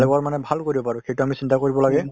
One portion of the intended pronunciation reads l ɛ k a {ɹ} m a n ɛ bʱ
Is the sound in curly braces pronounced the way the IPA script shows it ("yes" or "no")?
yes